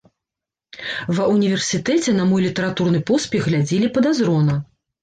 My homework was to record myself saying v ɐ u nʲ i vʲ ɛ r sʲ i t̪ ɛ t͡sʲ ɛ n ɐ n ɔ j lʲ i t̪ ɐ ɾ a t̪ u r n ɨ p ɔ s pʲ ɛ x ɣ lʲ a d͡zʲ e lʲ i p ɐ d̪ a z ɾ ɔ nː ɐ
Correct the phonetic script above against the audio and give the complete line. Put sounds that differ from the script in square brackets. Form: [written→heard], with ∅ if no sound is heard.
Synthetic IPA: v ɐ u nʲ i vʲ ɛ r sʲ i t̪ ɛ t͡sʲ ɛ n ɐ [n→m] ɔ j lʲ i t̪ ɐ ɾ a t̪ u r n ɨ p ɔ s pʲ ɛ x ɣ lʲ a d͡zʲ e lʲ i p ɐ d̪ a z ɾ ɔ [nː→n] ɐ